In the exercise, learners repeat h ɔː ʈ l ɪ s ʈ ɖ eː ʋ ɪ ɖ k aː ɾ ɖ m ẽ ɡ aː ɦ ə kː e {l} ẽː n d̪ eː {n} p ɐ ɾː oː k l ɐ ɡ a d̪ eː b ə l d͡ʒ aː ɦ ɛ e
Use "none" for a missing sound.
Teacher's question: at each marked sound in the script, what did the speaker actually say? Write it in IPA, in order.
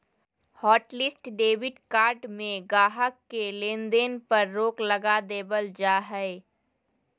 l, n

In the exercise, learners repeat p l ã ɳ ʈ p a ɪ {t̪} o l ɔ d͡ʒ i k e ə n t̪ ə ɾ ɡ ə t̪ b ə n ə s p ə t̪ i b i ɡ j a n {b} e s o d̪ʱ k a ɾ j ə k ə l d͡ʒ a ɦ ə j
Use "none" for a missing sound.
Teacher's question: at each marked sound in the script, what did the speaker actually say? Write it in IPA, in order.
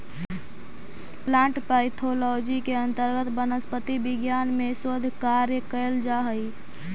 t̪ʰ, m

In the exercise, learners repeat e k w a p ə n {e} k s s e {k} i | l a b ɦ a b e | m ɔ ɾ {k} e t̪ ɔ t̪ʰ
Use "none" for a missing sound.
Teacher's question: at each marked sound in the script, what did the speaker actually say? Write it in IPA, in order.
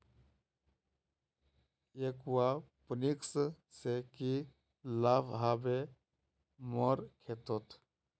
i, k, kʰ

